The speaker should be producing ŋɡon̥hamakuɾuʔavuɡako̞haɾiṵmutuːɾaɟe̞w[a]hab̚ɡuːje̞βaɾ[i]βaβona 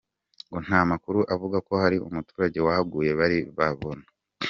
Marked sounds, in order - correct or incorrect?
correct, correct

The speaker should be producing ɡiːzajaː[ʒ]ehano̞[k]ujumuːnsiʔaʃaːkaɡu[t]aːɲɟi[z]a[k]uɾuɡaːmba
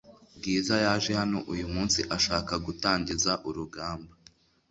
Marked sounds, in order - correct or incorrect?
correct, incorrect: ʔ, correct, correct, incorrect: ʔ

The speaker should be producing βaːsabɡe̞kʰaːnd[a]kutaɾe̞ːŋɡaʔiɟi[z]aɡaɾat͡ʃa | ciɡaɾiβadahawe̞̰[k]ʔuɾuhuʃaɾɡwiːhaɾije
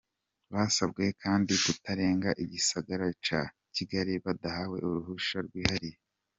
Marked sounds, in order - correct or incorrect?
incorrect: i, incorrect: s, incorrect: none

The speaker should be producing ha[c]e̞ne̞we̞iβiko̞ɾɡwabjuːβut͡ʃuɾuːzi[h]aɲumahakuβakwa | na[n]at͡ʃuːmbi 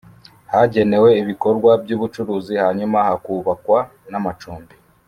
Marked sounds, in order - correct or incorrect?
incorrect: ɟ, correct, incorrect: m

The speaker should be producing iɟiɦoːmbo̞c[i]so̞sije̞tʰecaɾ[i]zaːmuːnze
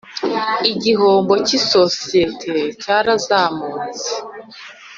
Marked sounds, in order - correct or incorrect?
correct, incorrect: a

